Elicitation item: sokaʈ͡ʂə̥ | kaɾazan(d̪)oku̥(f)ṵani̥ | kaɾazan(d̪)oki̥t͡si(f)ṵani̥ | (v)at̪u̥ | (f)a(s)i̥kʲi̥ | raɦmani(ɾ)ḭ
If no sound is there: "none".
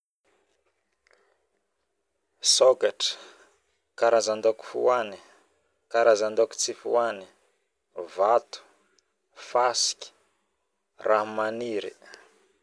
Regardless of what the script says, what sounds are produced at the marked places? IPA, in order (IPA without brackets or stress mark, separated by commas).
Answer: d̪, f, d̪, f, v, f, s, ɾ